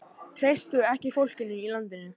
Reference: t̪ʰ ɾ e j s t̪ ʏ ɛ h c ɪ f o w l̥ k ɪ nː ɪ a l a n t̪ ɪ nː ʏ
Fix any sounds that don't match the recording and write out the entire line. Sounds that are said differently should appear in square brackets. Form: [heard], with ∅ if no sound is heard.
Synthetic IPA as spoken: t̪ʰ ɾ e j s t̪ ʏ ɛ h c ɪ f o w l̥ [c] ɪ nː ɪ [i] l a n t̪ ɪ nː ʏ